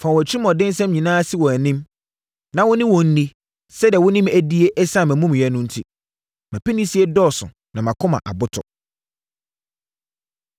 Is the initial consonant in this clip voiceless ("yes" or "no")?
yes